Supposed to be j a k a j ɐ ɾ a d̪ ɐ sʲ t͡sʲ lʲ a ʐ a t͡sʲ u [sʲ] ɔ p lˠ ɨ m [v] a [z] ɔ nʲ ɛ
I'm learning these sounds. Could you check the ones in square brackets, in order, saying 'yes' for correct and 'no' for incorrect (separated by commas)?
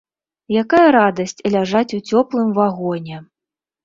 no, yes, no